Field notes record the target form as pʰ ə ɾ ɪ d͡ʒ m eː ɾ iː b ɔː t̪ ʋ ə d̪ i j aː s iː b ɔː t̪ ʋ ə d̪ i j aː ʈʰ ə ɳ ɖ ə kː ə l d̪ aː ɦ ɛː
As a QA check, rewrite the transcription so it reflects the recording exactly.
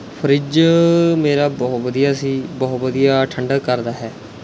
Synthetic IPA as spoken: pʰ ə ɾ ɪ d͡ʒ m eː ɾ aː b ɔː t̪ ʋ ə d̪ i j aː s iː b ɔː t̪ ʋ ə d̪ i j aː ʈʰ ə ɳ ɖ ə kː ə ɾ d̪ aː ɦ ɛː